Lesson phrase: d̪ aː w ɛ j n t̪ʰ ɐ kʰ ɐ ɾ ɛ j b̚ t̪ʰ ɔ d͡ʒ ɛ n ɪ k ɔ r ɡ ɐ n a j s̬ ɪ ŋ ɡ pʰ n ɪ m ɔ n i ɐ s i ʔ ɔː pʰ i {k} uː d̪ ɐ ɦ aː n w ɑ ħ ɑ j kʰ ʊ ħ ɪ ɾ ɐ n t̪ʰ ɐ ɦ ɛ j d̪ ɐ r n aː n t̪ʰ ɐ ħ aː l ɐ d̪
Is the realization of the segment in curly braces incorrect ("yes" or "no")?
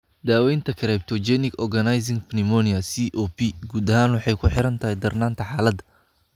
yes